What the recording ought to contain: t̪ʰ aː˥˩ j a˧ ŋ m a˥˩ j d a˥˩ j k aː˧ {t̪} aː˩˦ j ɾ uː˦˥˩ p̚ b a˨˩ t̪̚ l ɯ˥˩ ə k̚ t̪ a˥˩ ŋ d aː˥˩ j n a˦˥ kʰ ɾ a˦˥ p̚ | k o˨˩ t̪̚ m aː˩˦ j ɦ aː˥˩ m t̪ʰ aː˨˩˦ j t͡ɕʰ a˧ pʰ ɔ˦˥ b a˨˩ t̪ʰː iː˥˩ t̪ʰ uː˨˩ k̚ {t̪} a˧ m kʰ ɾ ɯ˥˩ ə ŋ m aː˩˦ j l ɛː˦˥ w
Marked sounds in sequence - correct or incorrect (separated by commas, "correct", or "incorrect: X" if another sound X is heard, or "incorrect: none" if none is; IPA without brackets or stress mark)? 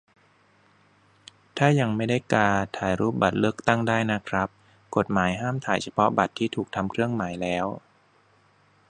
incorrect: t̪ʰ, incorrect: t̪ʰ